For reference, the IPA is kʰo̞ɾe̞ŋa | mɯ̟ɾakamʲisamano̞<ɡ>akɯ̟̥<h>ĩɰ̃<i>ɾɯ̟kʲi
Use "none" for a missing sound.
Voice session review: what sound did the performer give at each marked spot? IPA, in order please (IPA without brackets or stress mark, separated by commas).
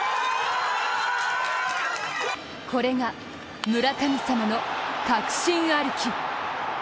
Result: k, ɕ, a